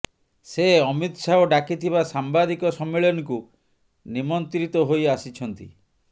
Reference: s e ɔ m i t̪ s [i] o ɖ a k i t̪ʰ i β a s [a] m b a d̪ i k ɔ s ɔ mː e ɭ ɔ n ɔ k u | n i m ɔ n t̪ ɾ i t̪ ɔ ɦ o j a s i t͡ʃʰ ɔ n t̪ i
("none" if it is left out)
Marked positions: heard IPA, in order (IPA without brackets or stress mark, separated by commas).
a, a